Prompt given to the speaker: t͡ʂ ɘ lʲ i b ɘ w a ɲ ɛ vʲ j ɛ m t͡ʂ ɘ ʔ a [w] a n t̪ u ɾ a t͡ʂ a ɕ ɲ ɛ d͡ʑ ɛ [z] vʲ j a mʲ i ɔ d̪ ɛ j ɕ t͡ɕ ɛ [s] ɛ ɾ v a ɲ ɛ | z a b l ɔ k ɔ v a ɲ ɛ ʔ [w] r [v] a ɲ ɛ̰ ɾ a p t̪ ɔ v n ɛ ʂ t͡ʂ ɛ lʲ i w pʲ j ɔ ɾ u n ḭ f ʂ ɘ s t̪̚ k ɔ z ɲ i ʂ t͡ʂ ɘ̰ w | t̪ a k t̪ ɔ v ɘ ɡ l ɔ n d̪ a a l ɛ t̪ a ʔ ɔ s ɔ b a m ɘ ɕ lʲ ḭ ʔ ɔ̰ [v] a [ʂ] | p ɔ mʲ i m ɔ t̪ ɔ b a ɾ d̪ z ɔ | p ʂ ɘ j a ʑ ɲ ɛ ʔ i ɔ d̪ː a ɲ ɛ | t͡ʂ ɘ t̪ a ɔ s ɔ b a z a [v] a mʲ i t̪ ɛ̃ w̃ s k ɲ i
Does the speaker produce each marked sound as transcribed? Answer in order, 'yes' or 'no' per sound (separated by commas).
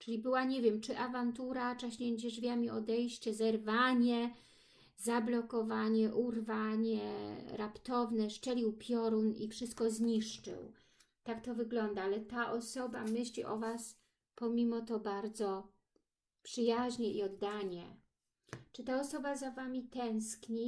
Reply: no, no, no, no, yes, yes, no, yes